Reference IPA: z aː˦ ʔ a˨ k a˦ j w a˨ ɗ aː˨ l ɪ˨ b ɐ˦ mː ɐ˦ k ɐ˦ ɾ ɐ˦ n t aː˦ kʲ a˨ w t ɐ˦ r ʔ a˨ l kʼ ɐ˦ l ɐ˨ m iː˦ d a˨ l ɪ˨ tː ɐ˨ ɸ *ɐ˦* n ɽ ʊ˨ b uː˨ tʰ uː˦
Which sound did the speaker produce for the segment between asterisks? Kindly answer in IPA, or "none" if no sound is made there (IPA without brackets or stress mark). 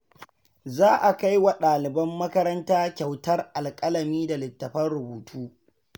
ɐ˦